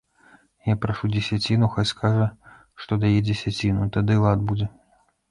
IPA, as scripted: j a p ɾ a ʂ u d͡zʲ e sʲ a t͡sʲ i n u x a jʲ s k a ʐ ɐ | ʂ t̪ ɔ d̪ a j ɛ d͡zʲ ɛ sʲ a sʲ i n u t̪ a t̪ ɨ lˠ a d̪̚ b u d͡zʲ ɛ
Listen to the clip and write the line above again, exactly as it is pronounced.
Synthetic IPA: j a p ɾ a ʂ u d͡zʲ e sʲ a t͡sʲ i n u x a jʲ s k a ʐ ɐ | ʂ t̪ ɔ d̪ a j ɛ d͡zʲ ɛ sʲ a t͡sʲ i n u t̪ a d̪ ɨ lˠ a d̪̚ b u d͡zʲ ɛ